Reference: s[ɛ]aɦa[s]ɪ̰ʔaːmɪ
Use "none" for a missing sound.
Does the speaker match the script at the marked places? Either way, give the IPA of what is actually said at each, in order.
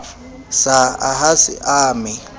a, s

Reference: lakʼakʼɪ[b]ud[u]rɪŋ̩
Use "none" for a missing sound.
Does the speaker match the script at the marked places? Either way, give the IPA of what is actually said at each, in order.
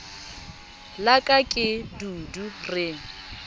d, u

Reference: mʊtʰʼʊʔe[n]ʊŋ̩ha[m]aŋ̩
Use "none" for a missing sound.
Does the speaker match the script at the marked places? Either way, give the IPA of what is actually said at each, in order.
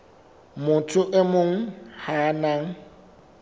m, n

